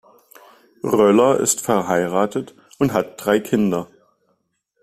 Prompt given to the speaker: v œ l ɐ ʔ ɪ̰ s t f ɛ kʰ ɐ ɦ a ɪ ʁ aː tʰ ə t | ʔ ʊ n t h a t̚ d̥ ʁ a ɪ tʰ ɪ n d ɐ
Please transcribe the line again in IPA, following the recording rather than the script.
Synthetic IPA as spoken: ʁ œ l ɐ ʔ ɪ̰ s t f ɛ ɐ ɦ a ɪ ʁ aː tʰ ə t | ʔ ʊ n t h a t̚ d̥ ʁ a ɪ kʰ ɪ n d ɐ